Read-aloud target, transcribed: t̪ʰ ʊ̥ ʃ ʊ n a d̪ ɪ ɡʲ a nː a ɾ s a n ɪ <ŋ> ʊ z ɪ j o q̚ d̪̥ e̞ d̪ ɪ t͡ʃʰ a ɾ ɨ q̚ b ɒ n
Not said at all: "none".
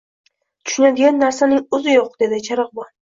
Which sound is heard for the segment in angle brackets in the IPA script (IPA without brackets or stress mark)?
ŋ